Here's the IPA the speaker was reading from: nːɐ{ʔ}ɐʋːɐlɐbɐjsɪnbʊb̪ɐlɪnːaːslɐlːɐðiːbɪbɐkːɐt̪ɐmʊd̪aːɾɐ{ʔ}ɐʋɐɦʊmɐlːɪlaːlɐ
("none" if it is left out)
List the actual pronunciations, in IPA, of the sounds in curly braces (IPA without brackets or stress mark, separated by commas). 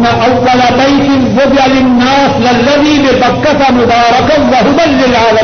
ʔ, k